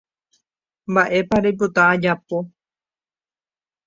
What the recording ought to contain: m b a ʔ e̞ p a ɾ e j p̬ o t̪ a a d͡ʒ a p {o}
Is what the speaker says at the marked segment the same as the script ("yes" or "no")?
yes